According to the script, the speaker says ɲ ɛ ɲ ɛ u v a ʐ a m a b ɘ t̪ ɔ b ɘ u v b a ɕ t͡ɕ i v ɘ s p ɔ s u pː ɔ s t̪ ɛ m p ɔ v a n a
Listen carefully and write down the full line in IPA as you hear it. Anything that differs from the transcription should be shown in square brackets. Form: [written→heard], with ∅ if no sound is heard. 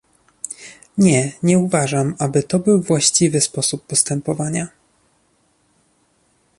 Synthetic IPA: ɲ ɛ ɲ ɛ u v a ʐ a m a b ɘ t̪ ɔ b ɘ [u→w] v [b→w] a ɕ t͡ɕ i v ɘ s p ɔ s u pː ɔ s t̪ ɛ m p ɔ v a [n→ɲ] a